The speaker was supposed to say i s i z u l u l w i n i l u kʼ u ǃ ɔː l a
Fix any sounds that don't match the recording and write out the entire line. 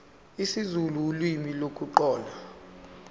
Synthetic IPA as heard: i s i z u l u l w i m i l o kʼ u ǃ ɔː l a